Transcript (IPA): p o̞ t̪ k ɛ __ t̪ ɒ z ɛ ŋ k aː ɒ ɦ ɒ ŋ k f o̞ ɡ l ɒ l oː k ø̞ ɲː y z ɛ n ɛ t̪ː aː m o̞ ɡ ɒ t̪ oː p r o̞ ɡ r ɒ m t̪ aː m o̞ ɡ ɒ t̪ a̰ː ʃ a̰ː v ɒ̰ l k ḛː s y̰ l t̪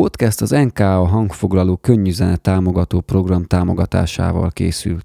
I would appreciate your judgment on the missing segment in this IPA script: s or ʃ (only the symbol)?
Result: s